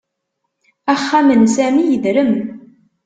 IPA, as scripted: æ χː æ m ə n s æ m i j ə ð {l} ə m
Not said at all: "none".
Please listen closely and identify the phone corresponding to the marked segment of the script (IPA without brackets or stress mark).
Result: ɾ